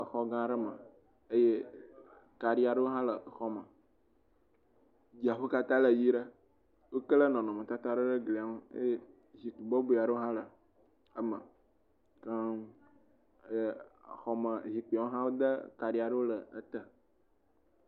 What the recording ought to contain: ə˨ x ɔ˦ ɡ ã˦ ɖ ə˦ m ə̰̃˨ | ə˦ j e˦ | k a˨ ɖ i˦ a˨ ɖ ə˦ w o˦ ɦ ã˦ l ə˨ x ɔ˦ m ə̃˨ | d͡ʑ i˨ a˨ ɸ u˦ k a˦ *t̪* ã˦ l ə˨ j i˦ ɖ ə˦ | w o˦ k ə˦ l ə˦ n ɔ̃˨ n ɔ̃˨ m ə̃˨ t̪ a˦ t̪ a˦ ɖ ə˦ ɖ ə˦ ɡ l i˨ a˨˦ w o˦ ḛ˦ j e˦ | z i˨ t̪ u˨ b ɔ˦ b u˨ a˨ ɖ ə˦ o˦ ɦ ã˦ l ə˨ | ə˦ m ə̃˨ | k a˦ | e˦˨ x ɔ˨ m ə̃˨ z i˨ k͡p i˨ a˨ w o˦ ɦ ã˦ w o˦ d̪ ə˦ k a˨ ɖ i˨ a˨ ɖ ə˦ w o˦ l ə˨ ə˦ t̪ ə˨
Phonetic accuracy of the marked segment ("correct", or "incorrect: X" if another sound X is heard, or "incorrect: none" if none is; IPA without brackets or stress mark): correct